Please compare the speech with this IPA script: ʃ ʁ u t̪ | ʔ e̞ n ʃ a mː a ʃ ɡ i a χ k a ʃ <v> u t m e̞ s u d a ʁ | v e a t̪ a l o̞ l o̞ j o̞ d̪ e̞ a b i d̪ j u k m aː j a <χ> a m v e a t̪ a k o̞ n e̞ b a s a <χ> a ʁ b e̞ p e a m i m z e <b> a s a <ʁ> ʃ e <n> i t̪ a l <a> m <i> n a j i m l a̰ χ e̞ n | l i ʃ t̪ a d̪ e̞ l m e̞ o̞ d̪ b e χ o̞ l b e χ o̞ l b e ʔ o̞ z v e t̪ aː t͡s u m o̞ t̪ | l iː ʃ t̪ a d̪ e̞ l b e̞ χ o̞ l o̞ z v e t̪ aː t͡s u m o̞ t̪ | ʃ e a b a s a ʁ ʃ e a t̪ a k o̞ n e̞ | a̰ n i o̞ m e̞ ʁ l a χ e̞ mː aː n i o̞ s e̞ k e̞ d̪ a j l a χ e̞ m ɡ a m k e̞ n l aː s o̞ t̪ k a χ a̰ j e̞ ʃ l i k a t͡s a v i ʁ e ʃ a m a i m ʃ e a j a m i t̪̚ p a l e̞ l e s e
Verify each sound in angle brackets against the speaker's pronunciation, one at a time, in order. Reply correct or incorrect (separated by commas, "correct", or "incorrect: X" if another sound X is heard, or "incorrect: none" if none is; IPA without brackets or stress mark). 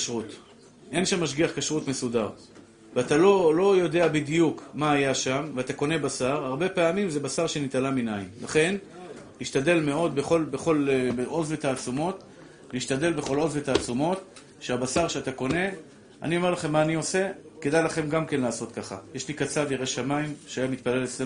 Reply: incorrect: ʁ, incorrect: ʃ, incorrect: ʁ, correct, correct, correct, correct, correct